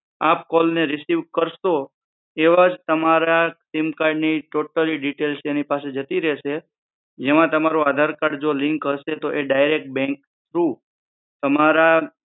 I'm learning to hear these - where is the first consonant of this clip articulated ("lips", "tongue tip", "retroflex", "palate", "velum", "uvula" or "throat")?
lips